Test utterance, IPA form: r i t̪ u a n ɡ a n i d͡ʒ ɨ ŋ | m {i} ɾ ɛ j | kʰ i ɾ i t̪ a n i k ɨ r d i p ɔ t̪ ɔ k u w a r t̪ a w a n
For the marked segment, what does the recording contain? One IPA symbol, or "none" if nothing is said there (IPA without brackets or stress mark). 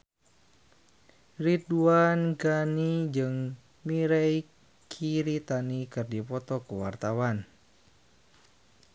i